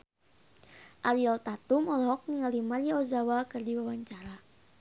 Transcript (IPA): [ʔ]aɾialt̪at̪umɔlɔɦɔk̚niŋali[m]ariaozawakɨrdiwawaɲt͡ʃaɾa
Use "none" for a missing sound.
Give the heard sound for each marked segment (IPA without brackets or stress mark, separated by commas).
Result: ʔ, m